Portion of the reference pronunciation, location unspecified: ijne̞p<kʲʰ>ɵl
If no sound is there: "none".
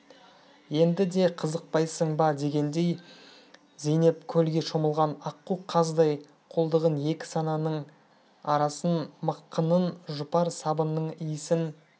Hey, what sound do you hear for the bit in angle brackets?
kʲʰ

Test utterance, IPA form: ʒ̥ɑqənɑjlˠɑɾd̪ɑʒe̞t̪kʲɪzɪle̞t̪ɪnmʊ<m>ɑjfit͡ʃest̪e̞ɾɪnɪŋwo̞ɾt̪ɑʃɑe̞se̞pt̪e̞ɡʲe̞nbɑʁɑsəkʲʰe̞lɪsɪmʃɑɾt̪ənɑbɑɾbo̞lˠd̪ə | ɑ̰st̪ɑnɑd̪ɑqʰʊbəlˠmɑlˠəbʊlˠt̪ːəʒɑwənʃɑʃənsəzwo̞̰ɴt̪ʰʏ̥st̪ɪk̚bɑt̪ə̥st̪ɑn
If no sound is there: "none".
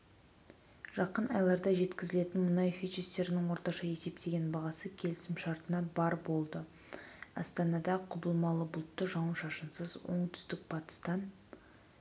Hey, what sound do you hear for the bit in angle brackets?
n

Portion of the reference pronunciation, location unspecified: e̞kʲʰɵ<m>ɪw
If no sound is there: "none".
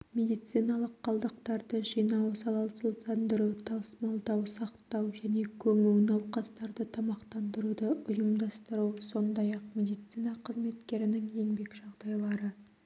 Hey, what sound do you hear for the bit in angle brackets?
m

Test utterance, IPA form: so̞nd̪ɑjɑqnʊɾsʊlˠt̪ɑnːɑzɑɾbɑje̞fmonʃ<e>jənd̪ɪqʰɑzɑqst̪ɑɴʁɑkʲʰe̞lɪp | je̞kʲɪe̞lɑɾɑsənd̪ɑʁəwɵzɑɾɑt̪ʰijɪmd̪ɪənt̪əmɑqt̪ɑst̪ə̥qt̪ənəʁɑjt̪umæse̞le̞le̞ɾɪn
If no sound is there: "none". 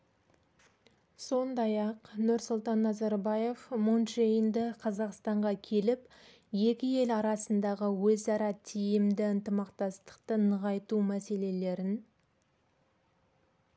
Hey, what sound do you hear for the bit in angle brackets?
e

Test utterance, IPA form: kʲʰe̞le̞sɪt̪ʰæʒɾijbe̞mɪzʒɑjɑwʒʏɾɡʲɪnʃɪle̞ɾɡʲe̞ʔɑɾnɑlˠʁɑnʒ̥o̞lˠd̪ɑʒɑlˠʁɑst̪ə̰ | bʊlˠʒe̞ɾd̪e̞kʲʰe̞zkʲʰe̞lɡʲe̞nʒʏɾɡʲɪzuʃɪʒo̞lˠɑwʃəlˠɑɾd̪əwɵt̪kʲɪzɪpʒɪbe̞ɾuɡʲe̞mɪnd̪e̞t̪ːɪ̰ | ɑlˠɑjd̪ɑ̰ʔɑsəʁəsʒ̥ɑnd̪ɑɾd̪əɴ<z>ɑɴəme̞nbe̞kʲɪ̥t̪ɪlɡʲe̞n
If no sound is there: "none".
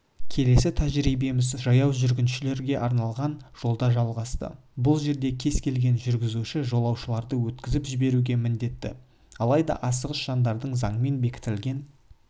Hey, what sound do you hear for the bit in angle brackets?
z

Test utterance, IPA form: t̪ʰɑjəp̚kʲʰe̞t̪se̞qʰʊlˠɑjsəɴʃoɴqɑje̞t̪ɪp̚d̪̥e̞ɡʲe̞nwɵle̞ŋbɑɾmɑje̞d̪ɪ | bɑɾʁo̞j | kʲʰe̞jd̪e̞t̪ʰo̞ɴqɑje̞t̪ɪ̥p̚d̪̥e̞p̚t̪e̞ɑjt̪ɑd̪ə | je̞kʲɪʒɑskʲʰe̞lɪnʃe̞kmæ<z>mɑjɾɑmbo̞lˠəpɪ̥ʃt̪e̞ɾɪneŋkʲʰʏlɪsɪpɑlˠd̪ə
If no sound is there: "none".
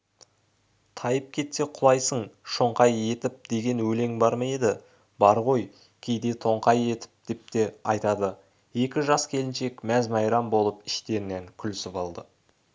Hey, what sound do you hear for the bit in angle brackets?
z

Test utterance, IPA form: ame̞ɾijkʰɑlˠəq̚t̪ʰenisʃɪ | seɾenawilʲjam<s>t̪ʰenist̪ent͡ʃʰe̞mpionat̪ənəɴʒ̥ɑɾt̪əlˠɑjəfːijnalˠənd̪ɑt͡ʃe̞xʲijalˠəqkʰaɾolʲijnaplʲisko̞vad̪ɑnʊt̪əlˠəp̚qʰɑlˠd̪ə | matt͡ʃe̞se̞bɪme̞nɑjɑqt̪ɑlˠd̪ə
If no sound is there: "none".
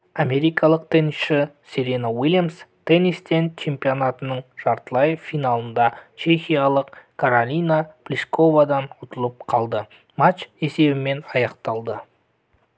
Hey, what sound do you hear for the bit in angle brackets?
s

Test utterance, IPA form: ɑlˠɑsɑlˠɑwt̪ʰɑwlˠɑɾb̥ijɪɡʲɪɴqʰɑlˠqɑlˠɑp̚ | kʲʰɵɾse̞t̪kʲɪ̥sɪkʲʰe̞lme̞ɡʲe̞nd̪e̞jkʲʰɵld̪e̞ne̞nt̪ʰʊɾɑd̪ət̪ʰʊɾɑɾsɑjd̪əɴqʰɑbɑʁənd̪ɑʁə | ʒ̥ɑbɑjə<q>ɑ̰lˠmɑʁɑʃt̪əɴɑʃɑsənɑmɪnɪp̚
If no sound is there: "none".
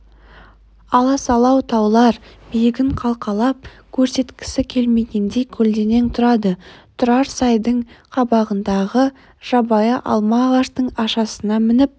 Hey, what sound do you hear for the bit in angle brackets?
ʔ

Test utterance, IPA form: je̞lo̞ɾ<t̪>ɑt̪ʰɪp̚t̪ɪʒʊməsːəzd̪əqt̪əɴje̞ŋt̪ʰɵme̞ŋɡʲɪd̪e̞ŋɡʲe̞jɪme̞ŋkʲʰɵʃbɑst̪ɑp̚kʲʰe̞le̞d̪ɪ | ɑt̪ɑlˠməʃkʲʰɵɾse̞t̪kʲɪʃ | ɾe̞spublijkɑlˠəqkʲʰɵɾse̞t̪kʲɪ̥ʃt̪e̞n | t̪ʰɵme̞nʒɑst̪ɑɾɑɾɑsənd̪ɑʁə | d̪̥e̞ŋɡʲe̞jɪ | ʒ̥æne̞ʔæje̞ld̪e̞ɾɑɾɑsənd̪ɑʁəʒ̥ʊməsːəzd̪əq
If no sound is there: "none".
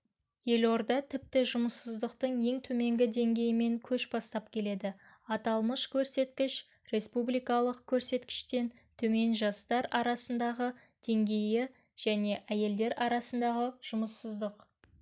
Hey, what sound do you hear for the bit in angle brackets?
d̪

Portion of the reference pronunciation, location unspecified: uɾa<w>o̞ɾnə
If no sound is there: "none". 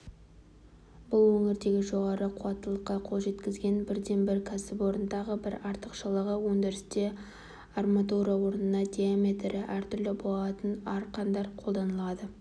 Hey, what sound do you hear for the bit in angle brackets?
w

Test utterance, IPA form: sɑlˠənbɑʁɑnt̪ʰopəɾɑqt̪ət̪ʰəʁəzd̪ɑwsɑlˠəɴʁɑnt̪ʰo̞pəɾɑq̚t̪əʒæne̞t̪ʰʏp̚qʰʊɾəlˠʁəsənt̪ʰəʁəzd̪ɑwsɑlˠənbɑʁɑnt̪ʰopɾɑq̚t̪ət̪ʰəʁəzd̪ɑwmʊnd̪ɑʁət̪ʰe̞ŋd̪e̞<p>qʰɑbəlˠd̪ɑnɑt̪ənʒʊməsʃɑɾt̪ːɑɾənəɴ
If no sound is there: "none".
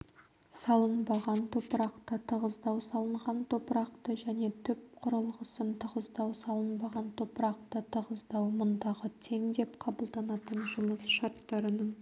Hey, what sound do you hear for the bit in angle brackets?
p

